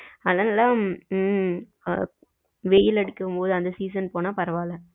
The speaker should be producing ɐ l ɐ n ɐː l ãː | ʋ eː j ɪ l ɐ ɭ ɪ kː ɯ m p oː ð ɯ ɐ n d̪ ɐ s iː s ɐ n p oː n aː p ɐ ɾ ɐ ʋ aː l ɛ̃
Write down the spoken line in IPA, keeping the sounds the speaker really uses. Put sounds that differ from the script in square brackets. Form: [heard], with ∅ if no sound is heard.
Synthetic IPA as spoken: ɐ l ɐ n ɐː l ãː | ʋ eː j ɪ l ɐ [ɽ] ɪ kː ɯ m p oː ð ɯ ɐ n d̪ ɐ s iː s ɐ n p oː n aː p ɐ ɾ ɐ ʋ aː l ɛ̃